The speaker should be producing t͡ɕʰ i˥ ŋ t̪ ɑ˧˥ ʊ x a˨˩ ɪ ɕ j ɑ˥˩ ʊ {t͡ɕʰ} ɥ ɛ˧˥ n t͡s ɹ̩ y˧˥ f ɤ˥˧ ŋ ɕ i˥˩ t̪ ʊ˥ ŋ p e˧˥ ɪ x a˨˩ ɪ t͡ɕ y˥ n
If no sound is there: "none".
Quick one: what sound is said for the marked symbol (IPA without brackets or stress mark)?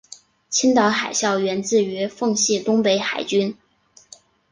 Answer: none